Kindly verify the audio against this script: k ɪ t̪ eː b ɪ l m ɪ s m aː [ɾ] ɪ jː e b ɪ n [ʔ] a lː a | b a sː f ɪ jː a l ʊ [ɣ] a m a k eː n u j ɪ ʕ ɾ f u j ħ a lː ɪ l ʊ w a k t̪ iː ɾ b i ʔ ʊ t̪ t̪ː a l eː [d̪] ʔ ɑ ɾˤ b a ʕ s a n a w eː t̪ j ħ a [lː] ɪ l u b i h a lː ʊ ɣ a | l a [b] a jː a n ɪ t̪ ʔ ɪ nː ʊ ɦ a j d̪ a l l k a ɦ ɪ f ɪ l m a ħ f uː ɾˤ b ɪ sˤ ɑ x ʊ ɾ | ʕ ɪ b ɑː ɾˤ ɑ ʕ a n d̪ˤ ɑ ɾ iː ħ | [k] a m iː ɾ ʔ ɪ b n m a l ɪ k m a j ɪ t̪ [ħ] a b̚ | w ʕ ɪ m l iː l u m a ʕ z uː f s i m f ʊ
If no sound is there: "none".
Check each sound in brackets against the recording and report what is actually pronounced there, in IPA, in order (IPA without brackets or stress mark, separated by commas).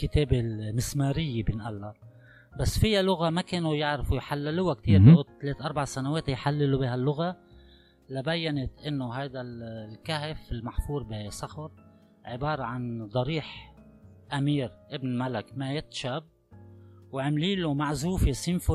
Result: ɾ, ʔ, ɣ, t̪, lː, b, ʔ, ʃ